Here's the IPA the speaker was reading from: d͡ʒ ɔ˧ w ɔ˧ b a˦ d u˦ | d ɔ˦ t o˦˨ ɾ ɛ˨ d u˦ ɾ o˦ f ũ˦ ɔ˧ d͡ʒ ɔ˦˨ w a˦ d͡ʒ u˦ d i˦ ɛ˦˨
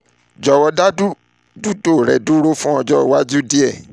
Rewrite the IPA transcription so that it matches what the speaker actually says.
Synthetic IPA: d͡ʒ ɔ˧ w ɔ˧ d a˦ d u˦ | d u˦ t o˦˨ ɾ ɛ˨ d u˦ ɾ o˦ f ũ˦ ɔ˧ d͡ʒ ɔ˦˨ w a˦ d͡ʒ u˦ d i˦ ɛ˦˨